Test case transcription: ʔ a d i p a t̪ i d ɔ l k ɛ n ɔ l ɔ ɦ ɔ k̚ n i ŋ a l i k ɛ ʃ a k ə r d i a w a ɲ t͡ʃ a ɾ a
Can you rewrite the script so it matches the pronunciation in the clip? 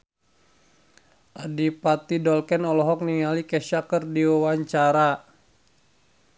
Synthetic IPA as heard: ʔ a d i p a t̪ i d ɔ l k ɛ n ɔ l ɔ ɦ ɔ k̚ n i ŋ a l i k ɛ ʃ a k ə r d i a w a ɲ t͡ʃ a ɾ a